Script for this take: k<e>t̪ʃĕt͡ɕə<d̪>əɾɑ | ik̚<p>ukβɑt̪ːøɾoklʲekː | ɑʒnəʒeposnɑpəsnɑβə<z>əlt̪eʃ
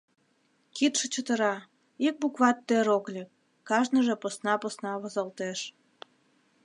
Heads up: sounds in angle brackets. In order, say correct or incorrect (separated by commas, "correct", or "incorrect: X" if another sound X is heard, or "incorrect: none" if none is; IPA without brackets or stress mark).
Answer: incorrect: i, incorrect: t̪, incorrect: b, correct